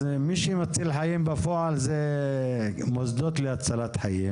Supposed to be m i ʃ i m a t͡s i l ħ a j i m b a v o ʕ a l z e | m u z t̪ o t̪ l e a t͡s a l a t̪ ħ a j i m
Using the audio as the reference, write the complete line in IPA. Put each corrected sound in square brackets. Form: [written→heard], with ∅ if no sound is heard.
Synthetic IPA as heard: m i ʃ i m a t͡s i l ħ a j i m b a [v→f] o ʕ a l z e | m [u→o] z [t̪→d̪] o t̪ l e a t͡s a l a t̪ ħ a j i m